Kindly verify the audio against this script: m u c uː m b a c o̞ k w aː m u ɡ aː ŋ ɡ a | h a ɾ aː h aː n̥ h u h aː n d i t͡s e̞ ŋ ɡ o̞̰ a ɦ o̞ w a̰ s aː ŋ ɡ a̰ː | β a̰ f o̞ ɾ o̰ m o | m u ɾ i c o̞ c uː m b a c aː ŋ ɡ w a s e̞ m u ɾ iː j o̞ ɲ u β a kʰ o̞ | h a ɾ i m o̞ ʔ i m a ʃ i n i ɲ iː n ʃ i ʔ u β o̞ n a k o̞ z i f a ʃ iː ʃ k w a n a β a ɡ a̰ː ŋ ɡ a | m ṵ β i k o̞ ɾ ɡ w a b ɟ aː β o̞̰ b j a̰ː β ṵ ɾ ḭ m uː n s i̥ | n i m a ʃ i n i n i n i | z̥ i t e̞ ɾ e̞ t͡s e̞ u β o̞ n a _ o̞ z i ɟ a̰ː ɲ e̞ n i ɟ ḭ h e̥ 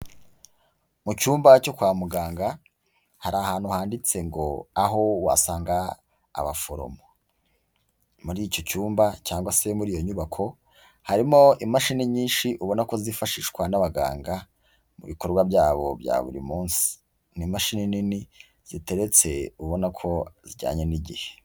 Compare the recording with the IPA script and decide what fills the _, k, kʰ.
kʰ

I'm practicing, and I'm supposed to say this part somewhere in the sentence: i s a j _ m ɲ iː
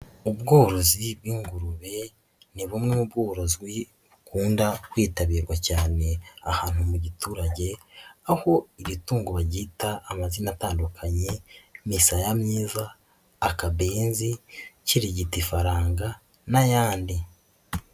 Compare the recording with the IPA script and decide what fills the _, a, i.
a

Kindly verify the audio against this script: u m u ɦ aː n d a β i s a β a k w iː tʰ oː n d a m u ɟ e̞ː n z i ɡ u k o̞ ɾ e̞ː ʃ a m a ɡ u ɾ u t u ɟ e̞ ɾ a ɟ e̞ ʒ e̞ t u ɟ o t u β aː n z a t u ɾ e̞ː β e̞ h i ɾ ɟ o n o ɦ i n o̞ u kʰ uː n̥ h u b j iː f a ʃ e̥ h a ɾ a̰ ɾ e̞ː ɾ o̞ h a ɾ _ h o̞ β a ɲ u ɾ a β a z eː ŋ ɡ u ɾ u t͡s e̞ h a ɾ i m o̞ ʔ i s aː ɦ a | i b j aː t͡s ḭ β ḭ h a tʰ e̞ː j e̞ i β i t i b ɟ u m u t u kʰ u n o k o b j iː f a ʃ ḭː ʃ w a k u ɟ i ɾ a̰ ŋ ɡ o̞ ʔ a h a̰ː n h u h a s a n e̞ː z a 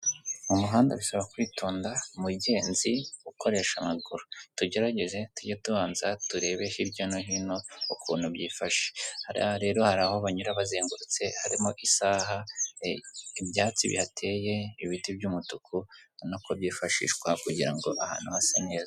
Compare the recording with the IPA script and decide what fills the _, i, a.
a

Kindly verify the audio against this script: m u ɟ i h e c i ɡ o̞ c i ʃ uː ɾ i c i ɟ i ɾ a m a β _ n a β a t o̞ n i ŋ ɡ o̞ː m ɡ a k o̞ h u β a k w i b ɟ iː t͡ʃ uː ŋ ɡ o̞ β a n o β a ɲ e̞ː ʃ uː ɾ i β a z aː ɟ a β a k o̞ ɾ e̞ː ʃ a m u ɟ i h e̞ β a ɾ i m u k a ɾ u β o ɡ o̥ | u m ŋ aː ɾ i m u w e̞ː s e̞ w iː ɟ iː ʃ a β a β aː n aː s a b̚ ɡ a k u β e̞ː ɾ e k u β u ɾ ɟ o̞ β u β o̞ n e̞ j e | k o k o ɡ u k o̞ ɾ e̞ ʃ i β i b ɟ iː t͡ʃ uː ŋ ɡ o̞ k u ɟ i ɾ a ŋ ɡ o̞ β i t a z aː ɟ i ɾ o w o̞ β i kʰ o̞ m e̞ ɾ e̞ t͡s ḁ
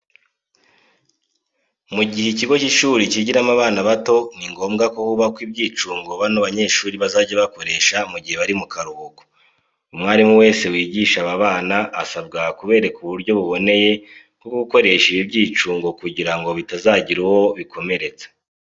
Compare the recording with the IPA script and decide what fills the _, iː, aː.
aː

